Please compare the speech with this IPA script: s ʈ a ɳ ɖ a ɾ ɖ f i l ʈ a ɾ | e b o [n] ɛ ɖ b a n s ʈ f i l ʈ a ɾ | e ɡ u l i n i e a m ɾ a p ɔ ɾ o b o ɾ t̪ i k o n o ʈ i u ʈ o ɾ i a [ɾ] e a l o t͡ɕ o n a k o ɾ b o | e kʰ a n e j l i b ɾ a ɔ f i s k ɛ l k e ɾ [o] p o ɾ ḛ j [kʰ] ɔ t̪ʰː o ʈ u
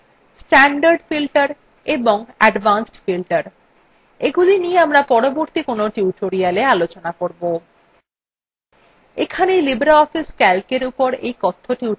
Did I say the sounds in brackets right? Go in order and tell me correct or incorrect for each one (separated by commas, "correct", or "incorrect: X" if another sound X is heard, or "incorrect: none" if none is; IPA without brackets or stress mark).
incorrect: ŋ, incorrect: l, incorrect: u, incorrect: k